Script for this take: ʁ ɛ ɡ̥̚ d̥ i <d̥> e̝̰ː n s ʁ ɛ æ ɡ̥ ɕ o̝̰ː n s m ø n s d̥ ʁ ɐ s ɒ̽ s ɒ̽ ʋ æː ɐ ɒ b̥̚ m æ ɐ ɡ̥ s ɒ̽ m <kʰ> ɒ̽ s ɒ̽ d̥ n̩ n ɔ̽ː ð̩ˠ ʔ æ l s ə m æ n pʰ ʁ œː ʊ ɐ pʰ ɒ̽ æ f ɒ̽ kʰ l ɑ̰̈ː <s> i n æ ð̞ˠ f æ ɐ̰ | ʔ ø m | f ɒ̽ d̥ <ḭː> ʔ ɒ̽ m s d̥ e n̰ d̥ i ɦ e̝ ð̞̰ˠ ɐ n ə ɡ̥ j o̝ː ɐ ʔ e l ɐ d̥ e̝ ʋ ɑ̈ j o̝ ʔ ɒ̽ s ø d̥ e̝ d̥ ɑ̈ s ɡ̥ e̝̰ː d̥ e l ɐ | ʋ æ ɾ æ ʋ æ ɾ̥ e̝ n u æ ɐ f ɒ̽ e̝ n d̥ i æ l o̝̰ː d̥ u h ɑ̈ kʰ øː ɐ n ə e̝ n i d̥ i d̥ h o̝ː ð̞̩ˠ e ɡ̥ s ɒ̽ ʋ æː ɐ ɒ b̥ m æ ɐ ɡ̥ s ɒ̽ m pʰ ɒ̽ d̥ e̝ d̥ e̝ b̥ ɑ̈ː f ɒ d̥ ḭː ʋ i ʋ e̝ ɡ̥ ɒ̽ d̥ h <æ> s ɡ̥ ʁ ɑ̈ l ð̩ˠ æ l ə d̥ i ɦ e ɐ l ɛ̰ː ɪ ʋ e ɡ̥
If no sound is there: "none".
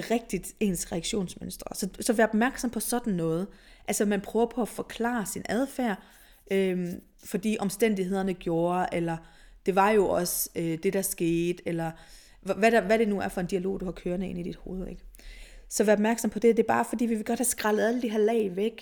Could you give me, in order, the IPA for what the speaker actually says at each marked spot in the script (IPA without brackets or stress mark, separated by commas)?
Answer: d̥, pʰ, s, ḭː, æ